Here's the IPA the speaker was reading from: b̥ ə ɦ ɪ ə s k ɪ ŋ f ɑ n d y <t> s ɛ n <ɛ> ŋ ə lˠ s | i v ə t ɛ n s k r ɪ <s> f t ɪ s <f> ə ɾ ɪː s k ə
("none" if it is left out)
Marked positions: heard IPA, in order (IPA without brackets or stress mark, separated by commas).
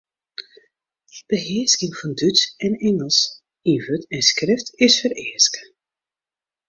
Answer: t, ɛ, none, f